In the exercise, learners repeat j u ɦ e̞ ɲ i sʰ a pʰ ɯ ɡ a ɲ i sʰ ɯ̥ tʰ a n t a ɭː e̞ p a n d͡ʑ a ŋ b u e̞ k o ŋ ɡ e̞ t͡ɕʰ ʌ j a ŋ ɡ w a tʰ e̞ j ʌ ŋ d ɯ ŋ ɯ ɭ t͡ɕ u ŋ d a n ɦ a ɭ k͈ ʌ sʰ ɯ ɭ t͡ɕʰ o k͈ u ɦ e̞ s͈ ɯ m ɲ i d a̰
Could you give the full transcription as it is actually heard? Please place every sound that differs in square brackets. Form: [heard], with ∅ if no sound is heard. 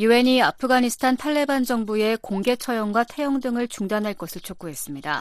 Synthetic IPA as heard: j u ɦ e̞ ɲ i [∅] a pʰ ɯ ɡ a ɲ i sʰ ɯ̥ tʰ a n [tʰ] a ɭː e̞ [b] a n d͡ʑ [ʌ] ŋ b u e̞ k o ŋ ɡ e̞ t͡ɕʰ ʌ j [ʌ] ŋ ɡ w a tʰ e̞ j ʌ ŋ d ɯ ŋ ɯ ɭ t͡ɕ u ŋ d a n ɦ a ɭ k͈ ʌ sʰ ɯ ɭ t͡ɕʰ o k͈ u ɦ e̞ s͈ ɯ m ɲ i d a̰